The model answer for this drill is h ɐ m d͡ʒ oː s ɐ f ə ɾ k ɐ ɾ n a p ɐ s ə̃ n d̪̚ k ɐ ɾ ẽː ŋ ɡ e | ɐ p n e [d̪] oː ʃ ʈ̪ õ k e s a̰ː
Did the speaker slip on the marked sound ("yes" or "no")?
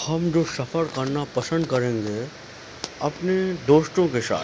no